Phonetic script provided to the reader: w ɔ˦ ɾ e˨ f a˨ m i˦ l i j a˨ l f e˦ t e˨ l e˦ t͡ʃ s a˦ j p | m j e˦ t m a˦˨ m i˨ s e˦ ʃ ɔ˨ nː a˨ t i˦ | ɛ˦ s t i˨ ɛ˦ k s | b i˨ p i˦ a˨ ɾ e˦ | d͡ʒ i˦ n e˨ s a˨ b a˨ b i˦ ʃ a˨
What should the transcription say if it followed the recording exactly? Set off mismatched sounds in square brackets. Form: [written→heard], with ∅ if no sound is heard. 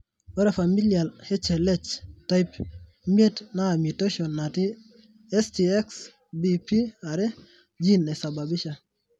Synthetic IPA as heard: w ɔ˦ ɾ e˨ f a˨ m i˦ l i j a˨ l [f→h] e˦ [t→t͡ʃ] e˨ l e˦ t͡ʃ [s→t] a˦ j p | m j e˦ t [m→n] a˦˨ m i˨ [s→t] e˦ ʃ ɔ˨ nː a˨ t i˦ | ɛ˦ s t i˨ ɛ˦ k s | b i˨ p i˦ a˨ ɾ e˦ | d͡ʒ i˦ n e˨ s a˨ b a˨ b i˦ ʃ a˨